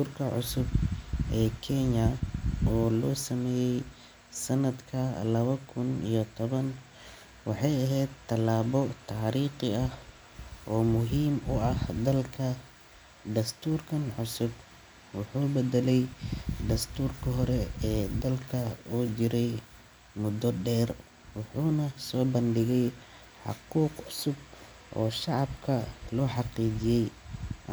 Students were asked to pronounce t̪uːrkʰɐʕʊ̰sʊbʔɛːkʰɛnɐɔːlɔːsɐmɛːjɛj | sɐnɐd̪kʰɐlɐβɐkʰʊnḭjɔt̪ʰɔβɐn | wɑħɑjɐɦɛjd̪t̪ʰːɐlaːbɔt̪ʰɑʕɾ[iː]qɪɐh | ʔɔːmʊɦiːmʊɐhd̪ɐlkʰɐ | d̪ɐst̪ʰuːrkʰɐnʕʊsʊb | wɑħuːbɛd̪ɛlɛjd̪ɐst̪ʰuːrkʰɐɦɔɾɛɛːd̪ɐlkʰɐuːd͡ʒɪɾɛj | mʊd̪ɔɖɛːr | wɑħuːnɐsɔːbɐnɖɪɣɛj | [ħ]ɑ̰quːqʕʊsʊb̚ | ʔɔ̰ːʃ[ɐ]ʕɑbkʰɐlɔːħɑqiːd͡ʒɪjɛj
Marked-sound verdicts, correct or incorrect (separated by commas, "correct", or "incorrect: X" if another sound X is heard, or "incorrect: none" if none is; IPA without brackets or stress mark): correct, correct, incorrect: ɑ